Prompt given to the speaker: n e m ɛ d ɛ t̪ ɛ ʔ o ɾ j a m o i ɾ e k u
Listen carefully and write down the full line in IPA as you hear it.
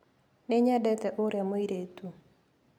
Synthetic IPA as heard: n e ɲ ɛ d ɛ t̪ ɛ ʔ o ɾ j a m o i ɾ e t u